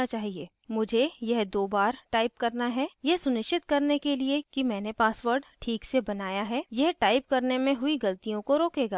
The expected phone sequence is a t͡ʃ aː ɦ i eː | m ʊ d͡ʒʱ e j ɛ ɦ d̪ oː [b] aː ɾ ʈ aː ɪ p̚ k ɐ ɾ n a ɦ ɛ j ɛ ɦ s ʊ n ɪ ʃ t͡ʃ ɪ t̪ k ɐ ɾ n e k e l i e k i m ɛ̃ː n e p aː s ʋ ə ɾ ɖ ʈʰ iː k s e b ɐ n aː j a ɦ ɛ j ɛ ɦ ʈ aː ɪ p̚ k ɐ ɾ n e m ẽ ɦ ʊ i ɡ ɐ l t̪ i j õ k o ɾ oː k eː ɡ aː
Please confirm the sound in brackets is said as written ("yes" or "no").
yes